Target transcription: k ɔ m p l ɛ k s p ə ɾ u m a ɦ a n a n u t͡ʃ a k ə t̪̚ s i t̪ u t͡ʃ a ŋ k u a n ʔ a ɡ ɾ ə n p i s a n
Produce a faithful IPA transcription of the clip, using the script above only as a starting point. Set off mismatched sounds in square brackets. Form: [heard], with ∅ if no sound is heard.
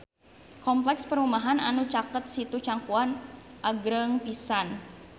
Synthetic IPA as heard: k ɔ m p l ɛ k s p ə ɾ u m a ɦ a n a n u t͡ʃ a k ə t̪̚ s i t̪ u t͡ʃ a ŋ k u a n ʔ a ɡ ɾ ə [ŋ] p i s a n